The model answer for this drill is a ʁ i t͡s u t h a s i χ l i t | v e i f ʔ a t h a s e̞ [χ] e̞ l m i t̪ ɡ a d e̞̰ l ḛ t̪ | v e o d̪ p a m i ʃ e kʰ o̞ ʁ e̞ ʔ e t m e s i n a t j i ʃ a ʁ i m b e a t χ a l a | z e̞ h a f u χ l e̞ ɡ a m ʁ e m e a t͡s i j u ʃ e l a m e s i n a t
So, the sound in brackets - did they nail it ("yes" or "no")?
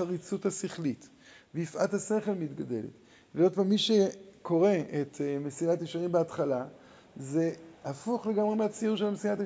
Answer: yes